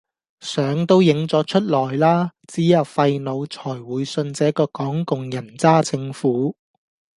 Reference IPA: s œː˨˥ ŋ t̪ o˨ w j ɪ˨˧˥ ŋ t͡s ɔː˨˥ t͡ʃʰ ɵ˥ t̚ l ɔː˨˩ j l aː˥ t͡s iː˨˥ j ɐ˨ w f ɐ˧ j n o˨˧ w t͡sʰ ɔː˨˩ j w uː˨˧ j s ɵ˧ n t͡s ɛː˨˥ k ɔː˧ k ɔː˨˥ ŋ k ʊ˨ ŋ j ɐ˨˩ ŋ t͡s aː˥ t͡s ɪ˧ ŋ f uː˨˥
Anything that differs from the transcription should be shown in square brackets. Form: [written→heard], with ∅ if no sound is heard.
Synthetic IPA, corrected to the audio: s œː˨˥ ŋ t̪ [o˨→o˥] w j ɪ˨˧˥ ŋ t͡s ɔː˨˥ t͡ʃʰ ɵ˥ t̚ l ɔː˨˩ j l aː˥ t͡s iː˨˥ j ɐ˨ w f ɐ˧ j n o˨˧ w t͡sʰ ɔː˨˩ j w uː˨˧ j s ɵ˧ n t͡s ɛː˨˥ k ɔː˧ k ɔː˨˥ ŋ k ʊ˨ ŋ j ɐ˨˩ [ŋ→n] t͡s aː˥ t͡s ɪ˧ ŋ f uː˨˥